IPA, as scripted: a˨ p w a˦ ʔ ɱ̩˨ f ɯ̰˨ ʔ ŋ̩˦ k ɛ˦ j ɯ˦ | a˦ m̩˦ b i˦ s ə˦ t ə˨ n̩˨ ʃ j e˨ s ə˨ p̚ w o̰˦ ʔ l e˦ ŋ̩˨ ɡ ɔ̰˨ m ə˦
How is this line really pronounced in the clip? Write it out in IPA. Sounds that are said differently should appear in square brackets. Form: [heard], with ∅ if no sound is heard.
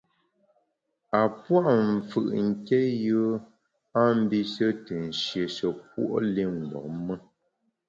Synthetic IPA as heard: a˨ p w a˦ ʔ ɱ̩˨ f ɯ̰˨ ʔ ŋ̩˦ k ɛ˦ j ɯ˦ | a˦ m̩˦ b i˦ s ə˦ t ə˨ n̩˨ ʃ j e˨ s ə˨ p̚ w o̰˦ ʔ l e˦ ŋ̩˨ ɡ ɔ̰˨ m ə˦